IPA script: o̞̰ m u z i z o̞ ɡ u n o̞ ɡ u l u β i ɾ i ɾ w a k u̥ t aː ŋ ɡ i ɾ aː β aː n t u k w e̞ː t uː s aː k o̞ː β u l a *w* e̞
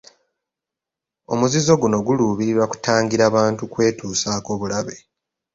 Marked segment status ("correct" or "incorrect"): incorrect